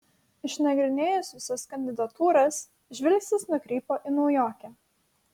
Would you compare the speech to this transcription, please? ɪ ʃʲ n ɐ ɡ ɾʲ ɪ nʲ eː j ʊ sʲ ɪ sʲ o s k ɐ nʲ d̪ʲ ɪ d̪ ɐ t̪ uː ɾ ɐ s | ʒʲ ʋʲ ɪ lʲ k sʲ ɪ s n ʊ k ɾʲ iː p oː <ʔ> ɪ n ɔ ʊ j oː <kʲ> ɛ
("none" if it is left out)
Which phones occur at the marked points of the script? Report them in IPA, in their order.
ʔ, kʲ

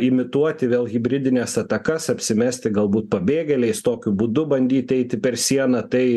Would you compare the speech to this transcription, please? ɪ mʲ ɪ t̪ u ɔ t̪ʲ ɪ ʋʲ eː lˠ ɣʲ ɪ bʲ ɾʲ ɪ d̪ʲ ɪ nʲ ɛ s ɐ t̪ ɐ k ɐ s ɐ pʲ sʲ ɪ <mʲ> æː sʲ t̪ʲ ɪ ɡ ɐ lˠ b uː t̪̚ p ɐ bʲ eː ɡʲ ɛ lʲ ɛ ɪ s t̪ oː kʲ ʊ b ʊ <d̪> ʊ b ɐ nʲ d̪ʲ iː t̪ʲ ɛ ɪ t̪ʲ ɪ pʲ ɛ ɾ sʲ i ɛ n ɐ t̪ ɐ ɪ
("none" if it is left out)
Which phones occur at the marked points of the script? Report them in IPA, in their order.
mʲ, d̪

